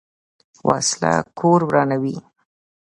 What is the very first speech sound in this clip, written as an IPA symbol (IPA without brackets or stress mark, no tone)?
w